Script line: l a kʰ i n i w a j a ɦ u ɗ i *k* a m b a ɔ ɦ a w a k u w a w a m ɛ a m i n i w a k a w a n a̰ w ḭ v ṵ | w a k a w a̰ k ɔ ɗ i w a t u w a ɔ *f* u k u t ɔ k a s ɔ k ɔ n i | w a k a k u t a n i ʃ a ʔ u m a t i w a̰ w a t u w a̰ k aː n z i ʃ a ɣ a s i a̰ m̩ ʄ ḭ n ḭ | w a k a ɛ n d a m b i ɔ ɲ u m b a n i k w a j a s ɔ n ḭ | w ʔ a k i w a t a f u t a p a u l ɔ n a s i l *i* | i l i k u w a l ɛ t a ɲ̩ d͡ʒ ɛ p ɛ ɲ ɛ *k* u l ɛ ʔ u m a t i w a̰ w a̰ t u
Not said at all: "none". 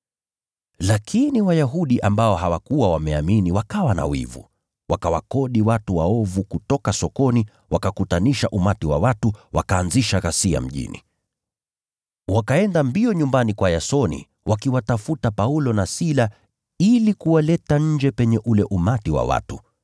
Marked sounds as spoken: ʔ, v, a, ʔ

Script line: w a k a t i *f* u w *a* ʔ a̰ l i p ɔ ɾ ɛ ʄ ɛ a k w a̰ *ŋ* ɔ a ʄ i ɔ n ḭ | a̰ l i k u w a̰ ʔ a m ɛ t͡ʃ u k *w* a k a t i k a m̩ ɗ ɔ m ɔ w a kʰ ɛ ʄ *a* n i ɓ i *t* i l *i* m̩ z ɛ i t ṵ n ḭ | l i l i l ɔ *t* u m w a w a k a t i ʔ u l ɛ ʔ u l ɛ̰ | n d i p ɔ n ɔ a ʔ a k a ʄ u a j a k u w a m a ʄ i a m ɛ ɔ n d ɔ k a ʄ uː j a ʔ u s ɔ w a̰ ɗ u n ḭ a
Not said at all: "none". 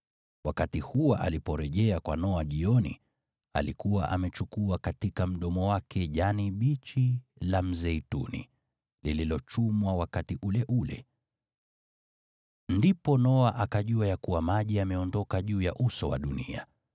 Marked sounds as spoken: h, a, n, u, a, t͡ʃ, a, t͡ʃ

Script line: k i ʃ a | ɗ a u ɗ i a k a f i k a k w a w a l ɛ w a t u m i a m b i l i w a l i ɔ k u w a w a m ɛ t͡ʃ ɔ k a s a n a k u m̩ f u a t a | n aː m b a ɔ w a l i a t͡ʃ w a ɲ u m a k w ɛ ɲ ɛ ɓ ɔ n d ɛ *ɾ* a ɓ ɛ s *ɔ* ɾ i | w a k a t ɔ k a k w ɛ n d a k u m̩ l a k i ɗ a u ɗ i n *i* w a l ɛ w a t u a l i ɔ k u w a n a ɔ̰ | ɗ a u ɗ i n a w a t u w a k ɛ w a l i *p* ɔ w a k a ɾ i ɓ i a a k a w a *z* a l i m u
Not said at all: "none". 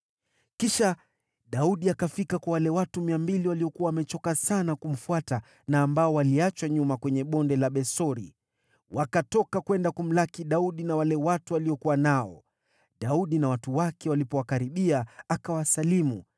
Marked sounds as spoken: l, ɔ, a, p, s

